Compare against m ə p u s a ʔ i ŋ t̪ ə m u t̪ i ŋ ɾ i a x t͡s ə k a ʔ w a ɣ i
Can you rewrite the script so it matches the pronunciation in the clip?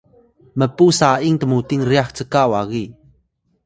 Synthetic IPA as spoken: m ə p u s a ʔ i ŋ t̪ ə m u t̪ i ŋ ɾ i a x t͡s ə k a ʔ w a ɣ i